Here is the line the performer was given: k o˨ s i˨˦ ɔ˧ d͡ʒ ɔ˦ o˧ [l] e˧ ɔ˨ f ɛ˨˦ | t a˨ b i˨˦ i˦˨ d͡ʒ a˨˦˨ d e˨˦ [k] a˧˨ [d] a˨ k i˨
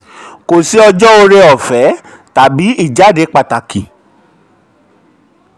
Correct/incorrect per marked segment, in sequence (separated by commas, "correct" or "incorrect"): incorrect, incorrect, incorrect